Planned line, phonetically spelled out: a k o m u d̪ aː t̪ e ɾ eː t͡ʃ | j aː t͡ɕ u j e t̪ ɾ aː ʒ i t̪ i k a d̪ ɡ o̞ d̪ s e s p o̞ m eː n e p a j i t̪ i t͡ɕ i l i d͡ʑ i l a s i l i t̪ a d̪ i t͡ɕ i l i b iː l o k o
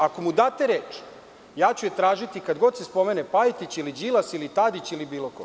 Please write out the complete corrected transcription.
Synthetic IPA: a k o m u d̪ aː t̪ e ɾ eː t͡ʃ | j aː t͡ɕ u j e t̪ ɾ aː ʒ i t̪ i k a d̪ ɡ o̞ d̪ s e s p o̞ m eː n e p a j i t̪ i t͡ɕ i l i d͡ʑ i l a s i l i t̪ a d̪ i t͡ɕ i l i b iː l o k o